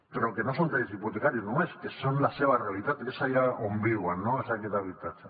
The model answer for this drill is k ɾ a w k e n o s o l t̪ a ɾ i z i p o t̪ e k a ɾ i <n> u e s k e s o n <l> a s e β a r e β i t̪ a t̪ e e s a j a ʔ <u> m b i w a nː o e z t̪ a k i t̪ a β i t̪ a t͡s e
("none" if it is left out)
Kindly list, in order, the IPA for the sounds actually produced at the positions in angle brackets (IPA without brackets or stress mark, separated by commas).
n, l, o